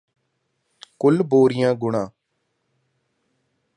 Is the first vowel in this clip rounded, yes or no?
yes